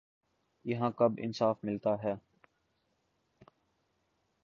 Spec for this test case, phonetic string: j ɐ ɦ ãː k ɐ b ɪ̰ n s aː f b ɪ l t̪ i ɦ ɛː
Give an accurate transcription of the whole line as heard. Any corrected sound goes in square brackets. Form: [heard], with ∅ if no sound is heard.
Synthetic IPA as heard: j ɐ ɦ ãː k ɐ b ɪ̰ n s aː f [m] ɪ l t̪ [a] ɦ ɛː

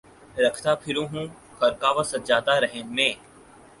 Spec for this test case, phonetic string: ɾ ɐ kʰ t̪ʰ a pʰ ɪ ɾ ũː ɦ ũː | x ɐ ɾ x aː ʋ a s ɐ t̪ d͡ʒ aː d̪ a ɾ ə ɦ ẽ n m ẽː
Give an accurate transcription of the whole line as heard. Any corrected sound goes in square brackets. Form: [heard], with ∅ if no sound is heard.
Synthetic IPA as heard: ɾ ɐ kʰ [t̪] a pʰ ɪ ɾ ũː ɦ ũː | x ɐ ɾ [k] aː ʋ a s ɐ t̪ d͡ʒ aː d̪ a ɾ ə ɦ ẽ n m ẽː

